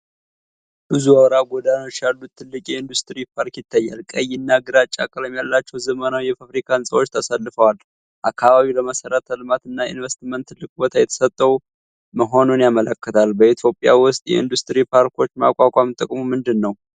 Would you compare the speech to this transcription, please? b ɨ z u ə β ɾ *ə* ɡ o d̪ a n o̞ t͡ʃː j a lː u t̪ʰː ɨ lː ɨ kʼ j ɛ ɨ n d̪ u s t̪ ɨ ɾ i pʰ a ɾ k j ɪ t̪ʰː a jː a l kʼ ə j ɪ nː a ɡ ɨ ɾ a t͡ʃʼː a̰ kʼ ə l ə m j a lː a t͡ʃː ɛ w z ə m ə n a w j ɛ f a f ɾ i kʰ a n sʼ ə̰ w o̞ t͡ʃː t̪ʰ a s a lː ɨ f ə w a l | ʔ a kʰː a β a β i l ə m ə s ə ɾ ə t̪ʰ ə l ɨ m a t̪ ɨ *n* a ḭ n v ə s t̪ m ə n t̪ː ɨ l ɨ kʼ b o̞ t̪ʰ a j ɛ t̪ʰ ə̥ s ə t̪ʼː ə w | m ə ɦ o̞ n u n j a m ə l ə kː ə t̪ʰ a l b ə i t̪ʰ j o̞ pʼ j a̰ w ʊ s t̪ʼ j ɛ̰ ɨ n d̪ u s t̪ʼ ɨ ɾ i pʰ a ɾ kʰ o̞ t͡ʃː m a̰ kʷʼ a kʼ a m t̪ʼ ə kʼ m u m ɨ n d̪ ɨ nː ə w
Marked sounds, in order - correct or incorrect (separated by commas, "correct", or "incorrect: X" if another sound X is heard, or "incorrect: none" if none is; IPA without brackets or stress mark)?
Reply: incorrect: a, incorrect: nː